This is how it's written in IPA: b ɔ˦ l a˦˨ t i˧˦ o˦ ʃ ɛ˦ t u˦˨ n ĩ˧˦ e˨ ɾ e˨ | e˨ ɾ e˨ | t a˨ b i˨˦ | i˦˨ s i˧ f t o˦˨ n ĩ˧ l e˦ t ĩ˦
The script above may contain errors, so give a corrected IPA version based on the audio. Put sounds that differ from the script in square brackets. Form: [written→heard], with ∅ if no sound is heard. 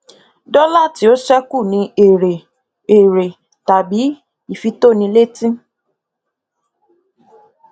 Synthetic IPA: [b→d] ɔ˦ l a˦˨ t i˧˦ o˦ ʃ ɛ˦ [t→k] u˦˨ n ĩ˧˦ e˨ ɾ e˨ | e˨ ɾ e˨ | t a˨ b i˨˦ | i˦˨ [s→f] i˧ [f→∅] t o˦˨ n ĩ˧ l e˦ t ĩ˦